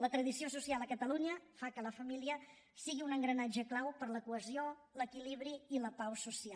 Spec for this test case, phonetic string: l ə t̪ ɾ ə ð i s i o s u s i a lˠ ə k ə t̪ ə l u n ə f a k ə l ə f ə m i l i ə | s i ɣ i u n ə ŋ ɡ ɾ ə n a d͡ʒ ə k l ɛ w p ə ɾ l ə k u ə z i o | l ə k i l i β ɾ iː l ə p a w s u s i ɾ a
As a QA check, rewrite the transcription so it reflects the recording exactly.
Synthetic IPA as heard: l ə t̪ ɾ ə ð i s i o s u s i a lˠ ə k ə t̪ ə l u ɲ ə f a k ə l ə f ə m i l i ə | s i ɣ i u n ə ŋ ɡ ɾ ə n a d͡ʒ ə k l a w p ə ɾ l ə k u ə z i o | l ə k i l i β ɾ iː l ə p a w s u s i a